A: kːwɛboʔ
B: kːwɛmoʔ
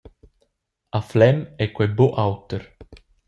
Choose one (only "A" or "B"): A